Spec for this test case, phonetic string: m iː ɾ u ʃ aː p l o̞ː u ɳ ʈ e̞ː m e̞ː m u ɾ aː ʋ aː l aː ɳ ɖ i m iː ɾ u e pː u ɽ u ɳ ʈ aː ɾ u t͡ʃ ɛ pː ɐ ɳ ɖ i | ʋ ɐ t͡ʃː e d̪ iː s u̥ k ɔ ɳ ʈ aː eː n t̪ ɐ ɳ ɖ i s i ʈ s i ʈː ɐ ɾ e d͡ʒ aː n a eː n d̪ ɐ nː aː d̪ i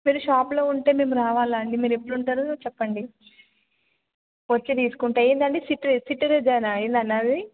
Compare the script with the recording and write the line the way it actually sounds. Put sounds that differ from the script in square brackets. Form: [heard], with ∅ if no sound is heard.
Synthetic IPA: m iː ɾ u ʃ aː p l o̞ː u ɳ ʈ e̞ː m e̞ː m u ɾ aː ʋ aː l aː ɳ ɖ i m iː ɾ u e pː u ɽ u ɳ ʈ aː ɾ u t͡ʃ ɛ pː ɐ ɳ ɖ i | ʋ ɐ t͡ʃː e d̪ iː s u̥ k [u] ɳ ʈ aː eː n [d̪] ɐ ɳ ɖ i s i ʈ s i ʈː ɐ ɾ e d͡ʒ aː n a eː n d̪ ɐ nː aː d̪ i